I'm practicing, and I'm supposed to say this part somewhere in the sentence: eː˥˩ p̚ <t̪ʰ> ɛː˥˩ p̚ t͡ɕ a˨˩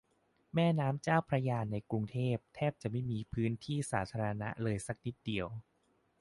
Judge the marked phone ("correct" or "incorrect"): correct